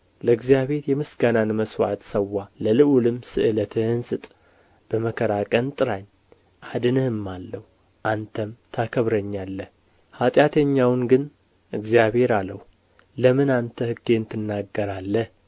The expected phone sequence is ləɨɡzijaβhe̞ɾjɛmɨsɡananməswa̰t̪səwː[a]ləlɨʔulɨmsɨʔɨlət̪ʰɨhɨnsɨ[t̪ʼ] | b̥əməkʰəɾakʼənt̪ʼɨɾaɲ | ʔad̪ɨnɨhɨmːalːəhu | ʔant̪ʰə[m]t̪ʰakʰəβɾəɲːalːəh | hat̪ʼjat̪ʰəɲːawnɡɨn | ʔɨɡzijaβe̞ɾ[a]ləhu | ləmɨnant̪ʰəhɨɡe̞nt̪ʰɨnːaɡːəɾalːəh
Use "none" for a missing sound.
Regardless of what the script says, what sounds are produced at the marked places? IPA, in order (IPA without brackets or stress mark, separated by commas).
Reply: a, t̪ʼ, m, a